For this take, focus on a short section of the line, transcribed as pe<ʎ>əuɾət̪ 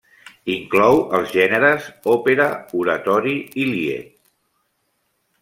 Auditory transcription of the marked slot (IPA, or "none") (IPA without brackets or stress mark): ɾ